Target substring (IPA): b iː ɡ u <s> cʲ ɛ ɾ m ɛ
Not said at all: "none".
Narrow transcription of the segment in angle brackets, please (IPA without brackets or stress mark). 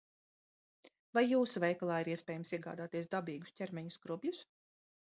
s